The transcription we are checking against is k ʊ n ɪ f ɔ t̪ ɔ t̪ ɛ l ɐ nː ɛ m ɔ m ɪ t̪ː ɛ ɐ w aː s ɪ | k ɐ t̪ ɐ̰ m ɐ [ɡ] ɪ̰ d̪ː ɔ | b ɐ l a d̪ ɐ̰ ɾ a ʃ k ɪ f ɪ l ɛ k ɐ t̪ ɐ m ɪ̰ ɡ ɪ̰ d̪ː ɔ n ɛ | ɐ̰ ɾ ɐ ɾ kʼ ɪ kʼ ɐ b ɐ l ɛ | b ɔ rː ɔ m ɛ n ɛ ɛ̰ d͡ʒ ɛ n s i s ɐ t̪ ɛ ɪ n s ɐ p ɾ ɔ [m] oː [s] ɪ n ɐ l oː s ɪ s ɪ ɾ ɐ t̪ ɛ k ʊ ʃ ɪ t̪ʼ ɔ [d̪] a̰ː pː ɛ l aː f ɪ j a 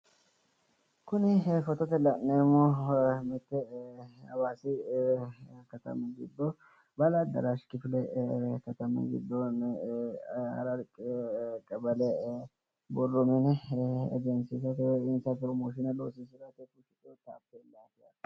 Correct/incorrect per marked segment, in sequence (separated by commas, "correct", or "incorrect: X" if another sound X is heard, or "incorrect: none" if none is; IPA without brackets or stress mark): correct, correct, incorrect: ʃ, incorrect: t̪